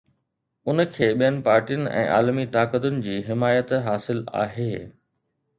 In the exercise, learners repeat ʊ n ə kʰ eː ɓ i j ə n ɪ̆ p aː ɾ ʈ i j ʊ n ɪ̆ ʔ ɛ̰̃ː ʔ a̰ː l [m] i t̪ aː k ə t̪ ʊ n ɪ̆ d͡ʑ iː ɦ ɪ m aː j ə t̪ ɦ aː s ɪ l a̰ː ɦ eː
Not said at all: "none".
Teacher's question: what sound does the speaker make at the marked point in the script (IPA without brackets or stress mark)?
m